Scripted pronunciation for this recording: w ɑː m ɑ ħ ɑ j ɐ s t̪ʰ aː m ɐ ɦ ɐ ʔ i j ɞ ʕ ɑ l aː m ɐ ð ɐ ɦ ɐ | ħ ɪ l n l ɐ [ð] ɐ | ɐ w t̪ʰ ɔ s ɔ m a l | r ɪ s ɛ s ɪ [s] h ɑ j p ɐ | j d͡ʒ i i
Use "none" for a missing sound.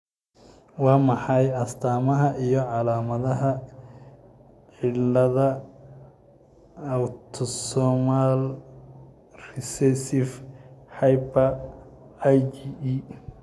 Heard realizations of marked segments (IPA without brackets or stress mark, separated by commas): ð, f